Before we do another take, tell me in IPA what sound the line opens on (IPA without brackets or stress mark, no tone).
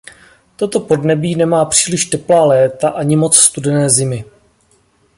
t̪